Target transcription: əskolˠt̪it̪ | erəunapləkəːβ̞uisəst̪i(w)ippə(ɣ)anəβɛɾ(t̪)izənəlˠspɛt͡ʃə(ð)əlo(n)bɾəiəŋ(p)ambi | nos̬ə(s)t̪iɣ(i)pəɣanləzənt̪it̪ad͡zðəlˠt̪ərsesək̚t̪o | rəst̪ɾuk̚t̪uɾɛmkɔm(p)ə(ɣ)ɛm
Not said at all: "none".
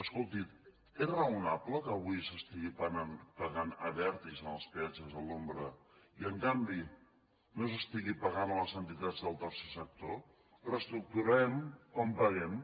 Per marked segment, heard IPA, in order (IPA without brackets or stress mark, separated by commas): ɣ, ɣ, t̪, z, m, k, s, i, p, ɣ